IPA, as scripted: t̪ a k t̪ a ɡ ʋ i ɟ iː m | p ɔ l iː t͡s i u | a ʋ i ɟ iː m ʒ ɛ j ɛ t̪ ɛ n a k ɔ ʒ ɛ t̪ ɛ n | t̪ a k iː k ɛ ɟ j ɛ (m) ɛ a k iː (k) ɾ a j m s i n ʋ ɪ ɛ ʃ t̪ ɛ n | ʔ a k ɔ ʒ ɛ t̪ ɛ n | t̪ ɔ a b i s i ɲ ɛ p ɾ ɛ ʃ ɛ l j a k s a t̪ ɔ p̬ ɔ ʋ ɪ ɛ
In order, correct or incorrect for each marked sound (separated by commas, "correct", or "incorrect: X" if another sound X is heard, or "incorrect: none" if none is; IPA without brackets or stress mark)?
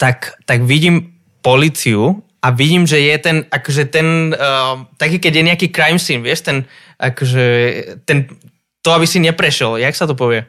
incorrect: ɲ, correct